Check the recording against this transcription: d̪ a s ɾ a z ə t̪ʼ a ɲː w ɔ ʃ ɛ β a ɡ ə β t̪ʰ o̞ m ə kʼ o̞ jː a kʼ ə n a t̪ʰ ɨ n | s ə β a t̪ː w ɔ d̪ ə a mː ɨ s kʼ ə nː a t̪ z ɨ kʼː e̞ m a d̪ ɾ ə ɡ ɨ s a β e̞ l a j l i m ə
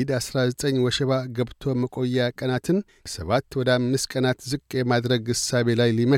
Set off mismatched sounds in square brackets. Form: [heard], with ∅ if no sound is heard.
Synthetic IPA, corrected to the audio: d̪ a s ɾ a z ə t̪ʼ [ə] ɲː w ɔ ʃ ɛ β a ɡ ə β t̪ʰ o̞ m ə kʼ o̞ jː a kʼ ə n a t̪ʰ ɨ n | s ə β a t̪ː w ɔ d̪ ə a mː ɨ s kʼ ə [n] a t̪ z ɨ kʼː e̞ m a d̪ ɾ ə ɡ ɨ s a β e̞ l a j l i m ə